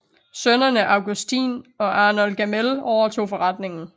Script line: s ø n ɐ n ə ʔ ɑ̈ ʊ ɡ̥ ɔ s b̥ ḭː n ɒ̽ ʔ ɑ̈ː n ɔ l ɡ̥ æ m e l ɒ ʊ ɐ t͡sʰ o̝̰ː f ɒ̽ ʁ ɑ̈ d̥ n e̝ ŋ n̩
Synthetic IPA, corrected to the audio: s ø n ɐ n ə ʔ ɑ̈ ʊ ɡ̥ u s d̥ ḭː n ɒ̽ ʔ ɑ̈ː n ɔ l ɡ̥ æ m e l ɒ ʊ ɐ t͡sʰ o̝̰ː f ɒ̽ ʁ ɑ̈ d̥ n e̝ ŋ n̩